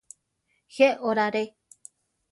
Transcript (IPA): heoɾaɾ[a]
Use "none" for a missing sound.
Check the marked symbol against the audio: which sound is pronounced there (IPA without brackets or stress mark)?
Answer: e